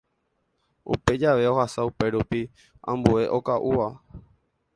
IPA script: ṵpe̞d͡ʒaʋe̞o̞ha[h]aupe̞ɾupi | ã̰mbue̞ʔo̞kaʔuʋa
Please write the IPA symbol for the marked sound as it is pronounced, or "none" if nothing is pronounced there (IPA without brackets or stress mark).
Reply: s